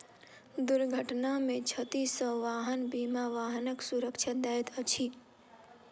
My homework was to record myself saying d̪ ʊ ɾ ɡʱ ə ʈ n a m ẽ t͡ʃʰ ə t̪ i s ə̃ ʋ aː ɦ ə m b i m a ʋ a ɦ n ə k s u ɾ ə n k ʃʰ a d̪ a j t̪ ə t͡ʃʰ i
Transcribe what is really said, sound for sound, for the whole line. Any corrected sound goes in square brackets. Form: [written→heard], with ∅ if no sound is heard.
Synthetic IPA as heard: d̪ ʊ ɾ ɡʱ ə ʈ n a m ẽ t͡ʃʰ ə t̪ i s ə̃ ʋ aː ɦ ə [m→n] b i m a ʋ a ɦ n ə k s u ɾ ə [n→∅] k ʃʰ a d̪ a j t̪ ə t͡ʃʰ i